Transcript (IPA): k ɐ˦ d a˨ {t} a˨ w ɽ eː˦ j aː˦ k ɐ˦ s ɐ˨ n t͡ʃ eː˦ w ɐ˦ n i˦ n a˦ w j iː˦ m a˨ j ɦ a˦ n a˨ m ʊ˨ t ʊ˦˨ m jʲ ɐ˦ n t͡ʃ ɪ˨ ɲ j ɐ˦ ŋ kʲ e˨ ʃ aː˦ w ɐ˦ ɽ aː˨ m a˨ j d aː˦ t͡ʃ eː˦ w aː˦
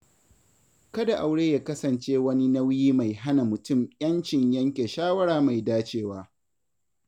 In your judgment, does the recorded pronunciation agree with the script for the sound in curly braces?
no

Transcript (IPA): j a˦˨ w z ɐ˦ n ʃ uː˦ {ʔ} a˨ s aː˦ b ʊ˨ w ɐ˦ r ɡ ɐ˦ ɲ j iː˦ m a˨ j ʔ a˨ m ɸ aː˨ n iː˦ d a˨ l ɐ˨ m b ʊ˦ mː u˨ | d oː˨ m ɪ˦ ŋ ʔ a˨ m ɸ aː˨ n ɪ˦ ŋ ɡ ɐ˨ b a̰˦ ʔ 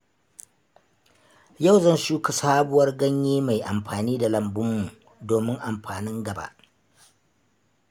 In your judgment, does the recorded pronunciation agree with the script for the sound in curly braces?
no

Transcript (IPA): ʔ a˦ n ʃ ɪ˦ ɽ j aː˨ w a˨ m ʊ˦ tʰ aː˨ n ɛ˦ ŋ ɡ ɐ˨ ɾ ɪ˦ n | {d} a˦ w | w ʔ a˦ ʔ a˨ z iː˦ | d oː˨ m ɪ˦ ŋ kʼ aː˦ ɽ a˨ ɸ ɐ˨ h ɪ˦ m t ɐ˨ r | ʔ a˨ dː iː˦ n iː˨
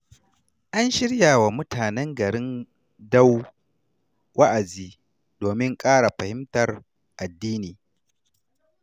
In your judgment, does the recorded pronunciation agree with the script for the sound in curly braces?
yes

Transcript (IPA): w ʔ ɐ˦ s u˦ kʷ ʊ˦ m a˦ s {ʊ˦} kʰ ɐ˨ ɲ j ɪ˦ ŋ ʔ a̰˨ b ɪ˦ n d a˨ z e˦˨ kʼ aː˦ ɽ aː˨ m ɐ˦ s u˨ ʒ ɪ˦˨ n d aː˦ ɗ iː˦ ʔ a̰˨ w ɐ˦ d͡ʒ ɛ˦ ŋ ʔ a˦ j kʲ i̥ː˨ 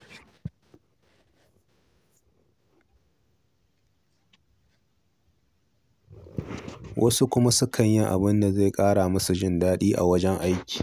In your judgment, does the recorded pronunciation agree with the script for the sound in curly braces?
yes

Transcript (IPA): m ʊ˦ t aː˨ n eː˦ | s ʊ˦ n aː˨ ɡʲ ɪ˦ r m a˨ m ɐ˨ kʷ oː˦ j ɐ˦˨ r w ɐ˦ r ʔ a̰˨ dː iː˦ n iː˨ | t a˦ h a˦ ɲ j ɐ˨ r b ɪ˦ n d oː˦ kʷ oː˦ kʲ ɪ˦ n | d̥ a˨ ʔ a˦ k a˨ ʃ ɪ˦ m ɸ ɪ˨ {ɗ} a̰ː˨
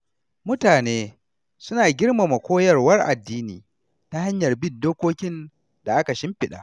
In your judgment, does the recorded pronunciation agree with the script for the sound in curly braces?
yes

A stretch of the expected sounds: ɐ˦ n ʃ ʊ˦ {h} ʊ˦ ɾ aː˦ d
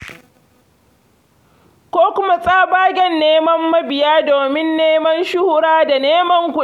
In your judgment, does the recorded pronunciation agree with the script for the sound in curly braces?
yes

